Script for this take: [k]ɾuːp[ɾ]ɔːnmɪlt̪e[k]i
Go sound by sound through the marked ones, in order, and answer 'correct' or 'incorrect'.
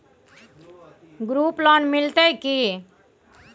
incorrect, incorrect, correct

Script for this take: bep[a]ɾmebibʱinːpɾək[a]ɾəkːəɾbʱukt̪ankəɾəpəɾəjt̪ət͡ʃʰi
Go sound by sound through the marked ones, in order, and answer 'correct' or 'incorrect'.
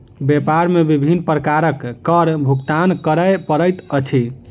correct, correct

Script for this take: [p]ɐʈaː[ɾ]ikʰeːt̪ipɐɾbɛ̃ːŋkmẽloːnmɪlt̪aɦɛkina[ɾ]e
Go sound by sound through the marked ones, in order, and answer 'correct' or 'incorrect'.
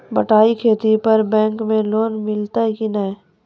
incorrect, incorrect, incorrect

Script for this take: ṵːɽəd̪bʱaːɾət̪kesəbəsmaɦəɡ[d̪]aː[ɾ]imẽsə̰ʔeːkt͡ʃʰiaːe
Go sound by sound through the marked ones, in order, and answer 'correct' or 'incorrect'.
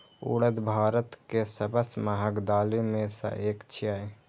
correct, incorrect

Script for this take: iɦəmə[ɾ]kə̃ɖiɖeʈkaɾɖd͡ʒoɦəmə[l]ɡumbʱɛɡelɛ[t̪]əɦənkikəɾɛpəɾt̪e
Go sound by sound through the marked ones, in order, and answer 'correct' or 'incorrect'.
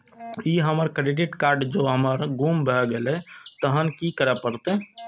correct, incorrect, correct

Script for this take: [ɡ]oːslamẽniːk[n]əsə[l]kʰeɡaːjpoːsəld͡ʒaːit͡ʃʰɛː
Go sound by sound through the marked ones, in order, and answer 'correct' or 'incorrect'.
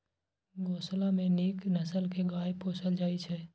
correct, correct, correct

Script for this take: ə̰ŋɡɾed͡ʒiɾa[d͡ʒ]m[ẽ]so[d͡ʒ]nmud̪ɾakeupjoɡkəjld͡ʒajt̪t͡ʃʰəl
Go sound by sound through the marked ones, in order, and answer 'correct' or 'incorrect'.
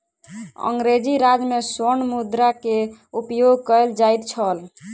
correct, incorrect, incorrect

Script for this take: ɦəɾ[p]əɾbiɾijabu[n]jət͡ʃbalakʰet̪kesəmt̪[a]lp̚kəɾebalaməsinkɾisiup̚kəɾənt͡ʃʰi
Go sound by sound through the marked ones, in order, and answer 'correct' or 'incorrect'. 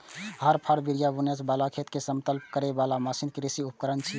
incorrect, correct, incorrect

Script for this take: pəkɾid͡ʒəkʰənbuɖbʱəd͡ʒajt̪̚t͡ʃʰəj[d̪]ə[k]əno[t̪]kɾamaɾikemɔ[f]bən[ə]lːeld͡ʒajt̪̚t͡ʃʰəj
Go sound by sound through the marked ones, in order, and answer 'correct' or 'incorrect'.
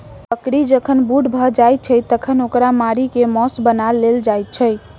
incorrect, incorrect, incorrect, incorrect, incorrect

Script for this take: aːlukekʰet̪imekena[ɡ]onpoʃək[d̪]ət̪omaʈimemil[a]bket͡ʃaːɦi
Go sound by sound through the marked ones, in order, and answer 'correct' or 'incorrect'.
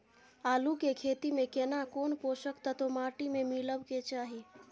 incorrect, incorrect, incorrect

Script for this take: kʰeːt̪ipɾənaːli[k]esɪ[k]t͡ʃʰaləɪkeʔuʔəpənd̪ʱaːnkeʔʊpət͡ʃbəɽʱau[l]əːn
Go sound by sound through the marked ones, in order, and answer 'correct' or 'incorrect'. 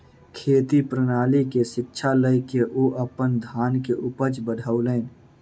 correct, correct, correct

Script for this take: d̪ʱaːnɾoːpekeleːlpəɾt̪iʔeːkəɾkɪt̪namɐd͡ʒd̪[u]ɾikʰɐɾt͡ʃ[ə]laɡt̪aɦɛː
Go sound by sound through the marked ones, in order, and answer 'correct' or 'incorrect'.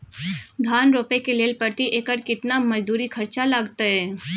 incorrect, incorrect

